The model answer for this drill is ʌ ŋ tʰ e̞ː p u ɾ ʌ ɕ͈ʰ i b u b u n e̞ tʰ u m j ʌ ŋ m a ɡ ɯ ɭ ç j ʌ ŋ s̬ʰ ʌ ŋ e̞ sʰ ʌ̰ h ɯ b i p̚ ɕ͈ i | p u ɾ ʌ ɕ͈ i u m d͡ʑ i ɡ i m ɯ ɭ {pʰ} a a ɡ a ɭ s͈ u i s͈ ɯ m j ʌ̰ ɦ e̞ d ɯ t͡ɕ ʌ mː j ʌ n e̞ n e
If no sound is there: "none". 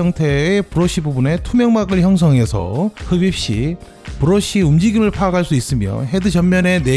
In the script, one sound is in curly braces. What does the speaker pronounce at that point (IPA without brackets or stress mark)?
pʰ